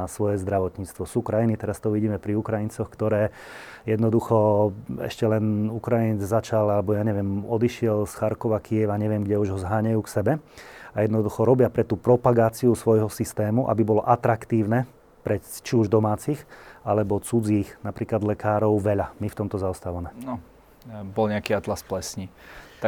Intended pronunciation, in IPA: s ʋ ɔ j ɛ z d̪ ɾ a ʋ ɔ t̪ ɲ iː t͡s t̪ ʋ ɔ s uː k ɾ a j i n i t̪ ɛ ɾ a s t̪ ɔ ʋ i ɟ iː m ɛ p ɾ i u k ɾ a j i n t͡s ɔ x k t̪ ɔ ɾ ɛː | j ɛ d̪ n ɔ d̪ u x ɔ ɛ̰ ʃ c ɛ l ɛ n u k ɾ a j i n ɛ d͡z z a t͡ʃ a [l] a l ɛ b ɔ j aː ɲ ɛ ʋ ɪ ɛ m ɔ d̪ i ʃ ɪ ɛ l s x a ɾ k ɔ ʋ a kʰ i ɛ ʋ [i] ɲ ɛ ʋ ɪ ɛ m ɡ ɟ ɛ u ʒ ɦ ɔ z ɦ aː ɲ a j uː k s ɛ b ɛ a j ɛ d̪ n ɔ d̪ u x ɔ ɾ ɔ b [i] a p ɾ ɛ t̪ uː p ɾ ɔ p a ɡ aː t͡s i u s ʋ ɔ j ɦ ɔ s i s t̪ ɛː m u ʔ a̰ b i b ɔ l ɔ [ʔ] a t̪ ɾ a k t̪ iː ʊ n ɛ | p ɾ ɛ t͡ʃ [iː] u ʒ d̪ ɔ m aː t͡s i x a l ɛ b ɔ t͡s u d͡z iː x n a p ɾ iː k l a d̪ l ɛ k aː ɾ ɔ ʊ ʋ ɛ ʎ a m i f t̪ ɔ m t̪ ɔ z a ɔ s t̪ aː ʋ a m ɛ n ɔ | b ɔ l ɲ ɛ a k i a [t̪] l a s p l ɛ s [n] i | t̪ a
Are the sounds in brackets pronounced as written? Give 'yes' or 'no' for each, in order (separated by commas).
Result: yes, no, no, yes, no, yes, no